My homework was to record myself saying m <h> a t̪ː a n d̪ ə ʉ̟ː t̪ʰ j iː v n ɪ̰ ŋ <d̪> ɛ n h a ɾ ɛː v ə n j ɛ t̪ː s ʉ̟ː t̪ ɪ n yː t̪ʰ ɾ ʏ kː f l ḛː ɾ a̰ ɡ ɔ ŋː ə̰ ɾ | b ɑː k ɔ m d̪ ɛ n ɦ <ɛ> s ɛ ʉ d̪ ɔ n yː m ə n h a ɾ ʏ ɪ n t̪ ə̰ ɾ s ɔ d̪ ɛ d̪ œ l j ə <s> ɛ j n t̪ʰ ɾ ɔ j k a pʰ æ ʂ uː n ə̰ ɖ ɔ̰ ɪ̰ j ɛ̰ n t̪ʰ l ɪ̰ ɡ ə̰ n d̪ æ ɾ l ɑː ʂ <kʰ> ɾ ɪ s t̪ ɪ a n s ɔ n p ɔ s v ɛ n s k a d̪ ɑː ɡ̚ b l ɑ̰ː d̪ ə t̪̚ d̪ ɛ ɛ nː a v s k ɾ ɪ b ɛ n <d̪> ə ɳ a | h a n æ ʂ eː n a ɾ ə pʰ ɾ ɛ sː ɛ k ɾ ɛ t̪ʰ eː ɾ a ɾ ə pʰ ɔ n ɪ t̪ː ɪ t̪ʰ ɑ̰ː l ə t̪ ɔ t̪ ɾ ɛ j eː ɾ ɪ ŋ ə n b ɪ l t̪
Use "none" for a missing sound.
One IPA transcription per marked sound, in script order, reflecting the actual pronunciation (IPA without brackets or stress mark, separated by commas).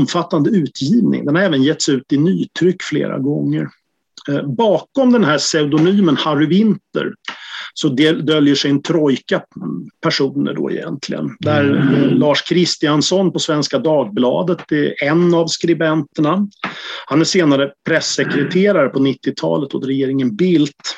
f, d̪, æ, ʂ, kʰ, t̪